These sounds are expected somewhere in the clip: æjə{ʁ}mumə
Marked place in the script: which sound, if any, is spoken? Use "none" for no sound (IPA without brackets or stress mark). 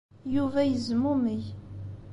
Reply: z